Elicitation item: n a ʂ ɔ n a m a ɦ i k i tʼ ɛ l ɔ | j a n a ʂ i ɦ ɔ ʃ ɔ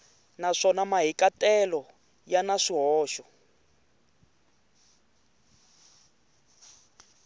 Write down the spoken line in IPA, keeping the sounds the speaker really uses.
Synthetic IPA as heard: n a ʂ ɔ n a m a ɦ i k a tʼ ɛ l ɔ | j a n a ʂ i ɦ ɔː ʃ ɔ